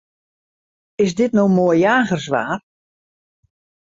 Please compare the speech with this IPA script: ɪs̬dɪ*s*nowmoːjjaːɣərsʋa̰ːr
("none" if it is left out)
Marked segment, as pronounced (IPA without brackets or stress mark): t